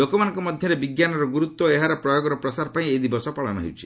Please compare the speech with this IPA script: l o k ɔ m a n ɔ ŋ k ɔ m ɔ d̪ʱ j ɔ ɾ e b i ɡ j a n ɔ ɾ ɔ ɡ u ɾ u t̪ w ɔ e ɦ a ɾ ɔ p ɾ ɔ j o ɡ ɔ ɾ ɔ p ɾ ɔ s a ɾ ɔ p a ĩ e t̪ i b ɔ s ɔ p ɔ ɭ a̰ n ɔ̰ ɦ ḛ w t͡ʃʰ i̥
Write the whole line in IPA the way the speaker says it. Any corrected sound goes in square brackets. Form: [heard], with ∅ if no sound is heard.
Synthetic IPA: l o k ɔ m a n ɔ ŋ k ɔ m ɔ d̪ʱ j ɔ ɾ e b i ɡ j a n ɔ ɾ ɔ ɡ u ɾ u t̪ w ɔ e ɦ a ɾ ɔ p ɾ ɔ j o ɡ ɔ ɾ ɔ p ɾ ɔ s a ɾ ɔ p a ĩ e [d̪] i b ɔ s ɔ p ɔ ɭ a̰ n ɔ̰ ɦ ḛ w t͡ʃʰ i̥